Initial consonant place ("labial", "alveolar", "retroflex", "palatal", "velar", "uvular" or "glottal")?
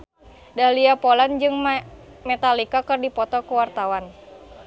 alveolar